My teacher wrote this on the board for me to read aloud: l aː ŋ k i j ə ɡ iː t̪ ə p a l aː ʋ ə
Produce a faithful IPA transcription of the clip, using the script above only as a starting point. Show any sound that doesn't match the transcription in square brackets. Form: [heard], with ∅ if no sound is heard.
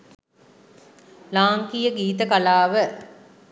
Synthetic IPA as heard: l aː ŋ k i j ə ɡ iː t̪ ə [k] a l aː ʋ ə

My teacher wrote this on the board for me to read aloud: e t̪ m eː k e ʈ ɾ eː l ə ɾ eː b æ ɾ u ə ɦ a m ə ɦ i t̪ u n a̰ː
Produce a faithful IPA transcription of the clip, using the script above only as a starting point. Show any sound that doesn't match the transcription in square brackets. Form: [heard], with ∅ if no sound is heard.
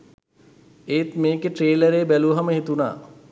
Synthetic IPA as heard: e t̪ m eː k e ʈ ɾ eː l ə ɾ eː b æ [l] u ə ɦ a m ə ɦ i t̪ u n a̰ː

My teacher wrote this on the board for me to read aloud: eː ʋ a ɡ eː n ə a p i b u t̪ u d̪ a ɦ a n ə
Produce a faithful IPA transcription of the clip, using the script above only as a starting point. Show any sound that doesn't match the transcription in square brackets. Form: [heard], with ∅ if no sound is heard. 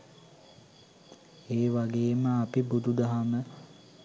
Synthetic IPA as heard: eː ʋ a ɡ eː [m] ə a p i b u [d̪] u d̪ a ɦ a [m] ə

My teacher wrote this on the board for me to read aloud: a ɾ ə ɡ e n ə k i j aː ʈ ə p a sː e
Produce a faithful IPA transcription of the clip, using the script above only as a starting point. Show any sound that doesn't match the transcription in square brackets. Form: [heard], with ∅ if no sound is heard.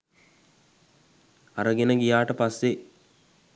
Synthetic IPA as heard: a ɾ ə ɡ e n ə [ɡ] i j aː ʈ ə p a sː e

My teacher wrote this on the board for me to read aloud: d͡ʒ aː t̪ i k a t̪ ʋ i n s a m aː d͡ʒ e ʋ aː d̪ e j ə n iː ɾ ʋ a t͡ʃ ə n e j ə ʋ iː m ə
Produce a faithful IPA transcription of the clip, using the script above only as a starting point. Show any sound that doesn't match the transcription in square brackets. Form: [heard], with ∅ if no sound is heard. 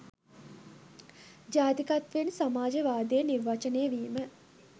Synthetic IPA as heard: d͡ʒ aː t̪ i k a t̪ ʋ [e] n s a m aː d͡ʒ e ʋ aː d̪ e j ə n [i] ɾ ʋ a t͡ʃ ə n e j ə ʋ iː m ə

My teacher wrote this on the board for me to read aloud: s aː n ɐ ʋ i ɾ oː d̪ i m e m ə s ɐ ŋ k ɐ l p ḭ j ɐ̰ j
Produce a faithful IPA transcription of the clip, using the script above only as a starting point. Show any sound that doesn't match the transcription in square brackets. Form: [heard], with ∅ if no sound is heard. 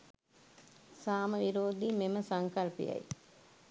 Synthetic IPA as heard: s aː [m] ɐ ʋ i ɾ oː d̪ i m e m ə s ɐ ŋ k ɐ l p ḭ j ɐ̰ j

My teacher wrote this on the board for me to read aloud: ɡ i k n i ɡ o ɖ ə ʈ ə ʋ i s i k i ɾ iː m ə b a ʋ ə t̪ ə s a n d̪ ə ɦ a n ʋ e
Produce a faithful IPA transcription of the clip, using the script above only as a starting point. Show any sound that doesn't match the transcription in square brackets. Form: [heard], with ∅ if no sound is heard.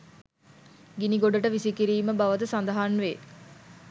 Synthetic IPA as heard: ɡ i [∅] n i ɡ o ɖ ə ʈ ə ʋ i s i k i ɾ iː m ə b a ʋ ə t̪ ə s a n d̪ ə ɦ a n ʋ e

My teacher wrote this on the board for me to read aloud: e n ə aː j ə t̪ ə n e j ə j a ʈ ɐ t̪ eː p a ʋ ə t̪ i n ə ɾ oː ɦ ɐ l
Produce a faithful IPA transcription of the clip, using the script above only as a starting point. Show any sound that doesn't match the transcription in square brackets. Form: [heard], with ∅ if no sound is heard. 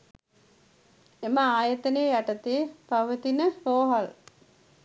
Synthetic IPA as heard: e [m] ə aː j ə t̪ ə n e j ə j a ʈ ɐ t̪ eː p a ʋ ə t̪ i n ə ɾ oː ɦ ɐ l

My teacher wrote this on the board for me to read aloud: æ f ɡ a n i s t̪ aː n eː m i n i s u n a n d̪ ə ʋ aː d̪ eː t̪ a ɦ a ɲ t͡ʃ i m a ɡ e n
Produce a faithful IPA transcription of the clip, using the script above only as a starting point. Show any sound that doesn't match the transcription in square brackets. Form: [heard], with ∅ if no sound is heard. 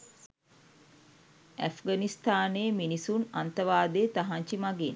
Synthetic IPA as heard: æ f ɡ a n i s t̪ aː n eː m i n i s u n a n [t̪] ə ʋ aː d̪ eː t̪ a ɦ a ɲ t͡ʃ i m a ɡ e n

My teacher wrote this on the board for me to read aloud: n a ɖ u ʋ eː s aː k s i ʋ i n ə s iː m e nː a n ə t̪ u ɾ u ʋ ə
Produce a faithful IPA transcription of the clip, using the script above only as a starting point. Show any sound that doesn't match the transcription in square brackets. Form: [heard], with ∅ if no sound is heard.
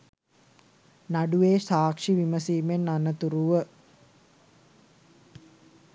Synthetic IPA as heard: n a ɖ u ʋ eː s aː k [ʂ] i ʋ i [m] ə s iː m e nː a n ə t̪ u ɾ u ʋ ə

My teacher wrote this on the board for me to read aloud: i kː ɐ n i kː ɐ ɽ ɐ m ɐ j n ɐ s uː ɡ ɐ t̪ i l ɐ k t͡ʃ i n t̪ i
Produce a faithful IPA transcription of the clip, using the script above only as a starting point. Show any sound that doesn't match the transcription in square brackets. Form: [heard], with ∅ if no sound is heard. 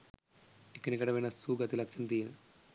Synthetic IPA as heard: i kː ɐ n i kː ɐ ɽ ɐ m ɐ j n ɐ s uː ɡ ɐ t̪ i l ɐ k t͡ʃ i n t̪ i

